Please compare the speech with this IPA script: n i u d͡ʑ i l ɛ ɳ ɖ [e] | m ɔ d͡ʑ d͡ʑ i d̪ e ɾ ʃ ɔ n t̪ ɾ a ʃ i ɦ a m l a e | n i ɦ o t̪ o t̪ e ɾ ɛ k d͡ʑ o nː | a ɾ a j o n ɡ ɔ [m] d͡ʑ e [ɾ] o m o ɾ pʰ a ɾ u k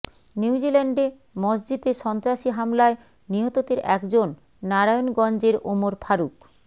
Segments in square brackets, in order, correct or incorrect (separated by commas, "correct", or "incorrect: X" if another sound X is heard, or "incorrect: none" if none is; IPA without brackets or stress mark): correct, incorrect: n, correct